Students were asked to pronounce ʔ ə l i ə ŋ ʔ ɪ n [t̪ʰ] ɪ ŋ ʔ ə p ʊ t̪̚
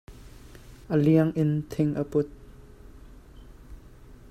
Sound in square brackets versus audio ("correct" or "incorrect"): correct